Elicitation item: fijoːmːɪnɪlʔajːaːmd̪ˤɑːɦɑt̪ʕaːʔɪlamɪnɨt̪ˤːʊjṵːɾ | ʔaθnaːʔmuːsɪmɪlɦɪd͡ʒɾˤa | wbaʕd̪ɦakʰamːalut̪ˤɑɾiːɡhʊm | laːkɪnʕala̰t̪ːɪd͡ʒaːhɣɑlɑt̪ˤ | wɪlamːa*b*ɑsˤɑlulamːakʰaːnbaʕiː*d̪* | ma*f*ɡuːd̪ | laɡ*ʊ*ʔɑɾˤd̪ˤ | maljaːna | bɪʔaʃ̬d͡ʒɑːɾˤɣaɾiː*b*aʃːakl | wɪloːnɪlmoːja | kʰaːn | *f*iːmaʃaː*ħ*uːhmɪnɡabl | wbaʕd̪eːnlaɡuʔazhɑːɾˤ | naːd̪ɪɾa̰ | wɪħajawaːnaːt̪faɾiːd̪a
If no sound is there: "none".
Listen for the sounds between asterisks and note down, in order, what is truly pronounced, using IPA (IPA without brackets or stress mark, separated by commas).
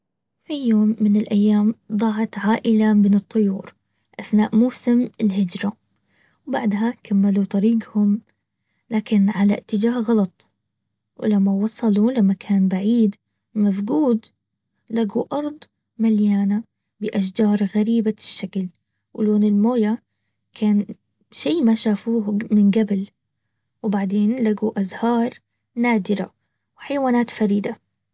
w, d̪, f, u, b, ʃ, f